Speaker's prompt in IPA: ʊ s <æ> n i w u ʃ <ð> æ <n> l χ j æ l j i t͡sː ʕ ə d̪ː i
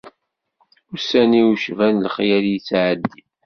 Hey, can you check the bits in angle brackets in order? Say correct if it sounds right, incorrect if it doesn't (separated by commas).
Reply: correct, incorrect, correct